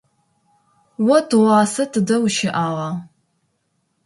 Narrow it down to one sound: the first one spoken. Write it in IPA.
w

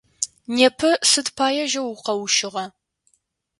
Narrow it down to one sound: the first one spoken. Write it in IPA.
n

